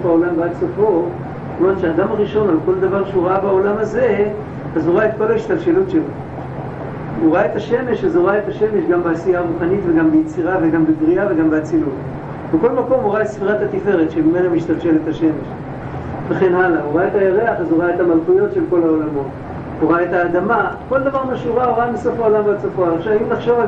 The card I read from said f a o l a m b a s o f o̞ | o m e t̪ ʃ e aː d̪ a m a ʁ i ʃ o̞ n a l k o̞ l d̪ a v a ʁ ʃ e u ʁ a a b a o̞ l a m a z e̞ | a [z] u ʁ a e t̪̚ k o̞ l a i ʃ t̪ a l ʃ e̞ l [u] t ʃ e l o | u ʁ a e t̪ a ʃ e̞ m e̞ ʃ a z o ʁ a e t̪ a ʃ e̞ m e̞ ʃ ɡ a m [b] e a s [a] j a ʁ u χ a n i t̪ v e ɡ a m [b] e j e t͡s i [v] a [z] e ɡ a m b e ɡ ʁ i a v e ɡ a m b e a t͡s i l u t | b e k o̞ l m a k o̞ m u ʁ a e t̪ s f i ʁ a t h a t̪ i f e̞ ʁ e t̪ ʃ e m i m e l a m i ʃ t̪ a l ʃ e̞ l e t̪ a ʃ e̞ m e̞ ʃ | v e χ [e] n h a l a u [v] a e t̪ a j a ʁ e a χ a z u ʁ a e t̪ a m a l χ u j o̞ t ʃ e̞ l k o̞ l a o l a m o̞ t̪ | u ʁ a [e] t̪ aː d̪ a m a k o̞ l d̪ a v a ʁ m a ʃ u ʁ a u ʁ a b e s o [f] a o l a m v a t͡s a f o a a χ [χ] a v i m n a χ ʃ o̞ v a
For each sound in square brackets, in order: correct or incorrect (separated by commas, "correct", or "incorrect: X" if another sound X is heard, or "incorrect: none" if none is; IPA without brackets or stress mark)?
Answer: correct, correct, correct, incorrect: i, correct, incorrect: ʁ, incorrect: v, correct, incorrect: ʁ, correct, correct, incorrect: ʃ